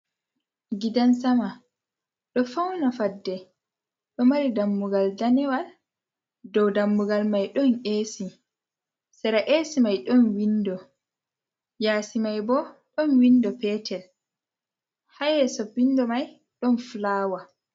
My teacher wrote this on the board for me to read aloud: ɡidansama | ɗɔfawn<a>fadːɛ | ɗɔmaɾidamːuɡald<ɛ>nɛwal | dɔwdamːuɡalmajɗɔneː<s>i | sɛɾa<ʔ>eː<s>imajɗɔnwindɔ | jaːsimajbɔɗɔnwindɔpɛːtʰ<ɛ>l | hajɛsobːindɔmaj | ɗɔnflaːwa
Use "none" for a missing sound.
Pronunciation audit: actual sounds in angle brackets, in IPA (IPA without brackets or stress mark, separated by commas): a, a, s, ʔ, s, ɛ